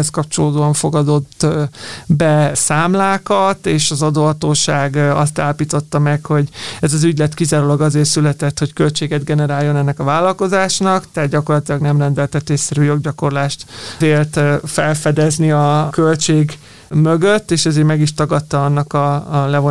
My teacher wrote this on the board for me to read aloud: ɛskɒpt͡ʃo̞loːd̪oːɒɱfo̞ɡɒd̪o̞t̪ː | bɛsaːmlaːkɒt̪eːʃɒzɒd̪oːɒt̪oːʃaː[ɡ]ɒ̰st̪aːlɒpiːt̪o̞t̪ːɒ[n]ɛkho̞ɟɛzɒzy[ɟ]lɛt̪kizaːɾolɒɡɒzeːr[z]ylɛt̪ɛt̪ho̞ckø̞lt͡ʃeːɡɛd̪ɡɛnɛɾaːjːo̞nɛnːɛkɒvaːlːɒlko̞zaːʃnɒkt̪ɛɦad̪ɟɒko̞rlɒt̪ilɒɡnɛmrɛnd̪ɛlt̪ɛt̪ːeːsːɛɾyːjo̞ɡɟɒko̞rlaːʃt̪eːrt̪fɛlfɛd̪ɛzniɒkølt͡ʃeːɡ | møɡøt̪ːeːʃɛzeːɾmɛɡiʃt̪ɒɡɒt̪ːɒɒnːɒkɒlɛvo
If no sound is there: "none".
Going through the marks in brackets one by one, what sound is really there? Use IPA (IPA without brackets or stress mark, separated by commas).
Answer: ɡ, m, ɟ, s